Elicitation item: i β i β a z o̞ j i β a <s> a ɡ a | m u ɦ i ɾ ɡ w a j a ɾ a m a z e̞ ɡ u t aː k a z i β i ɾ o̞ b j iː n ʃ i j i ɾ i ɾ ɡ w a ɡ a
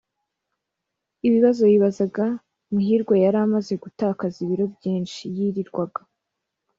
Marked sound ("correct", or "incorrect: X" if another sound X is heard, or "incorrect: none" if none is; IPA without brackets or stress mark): incorrect: z